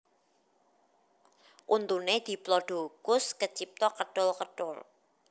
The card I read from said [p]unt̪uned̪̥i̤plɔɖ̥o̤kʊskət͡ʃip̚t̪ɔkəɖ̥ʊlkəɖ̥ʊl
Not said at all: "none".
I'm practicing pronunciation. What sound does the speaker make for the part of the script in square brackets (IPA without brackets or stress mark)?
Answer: ʔ